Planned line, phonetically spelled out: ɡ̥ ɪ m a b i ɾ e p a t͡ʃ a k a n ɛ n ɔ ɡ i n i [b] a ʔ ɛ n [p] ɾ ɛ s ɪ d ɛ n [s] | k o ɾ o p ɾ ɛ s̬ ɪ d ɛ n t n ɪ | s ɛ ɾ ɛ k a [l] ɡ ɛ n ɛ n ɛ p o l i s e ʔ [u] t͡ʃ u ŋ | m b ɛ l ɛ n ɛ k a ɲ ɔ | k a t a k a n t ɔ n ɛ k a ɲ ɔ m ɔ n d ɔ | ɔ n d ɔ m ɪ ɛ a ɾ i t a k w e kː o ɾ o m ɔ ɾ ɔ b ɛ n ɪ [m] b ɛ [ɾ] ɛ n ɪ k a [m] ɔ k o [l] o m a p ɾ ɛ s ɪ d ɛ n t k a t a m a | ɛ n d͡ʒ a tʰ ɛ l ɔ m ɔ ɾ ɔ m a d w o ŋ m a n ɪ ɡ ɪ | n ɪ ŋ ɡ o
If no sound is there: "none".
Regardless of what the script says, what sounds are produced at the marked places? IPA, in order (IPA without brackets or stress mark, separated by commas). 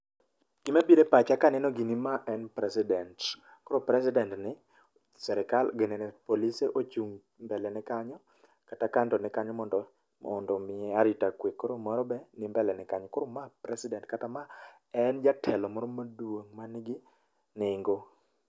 m, p, t, l, o, m, l, ɲ, ɾ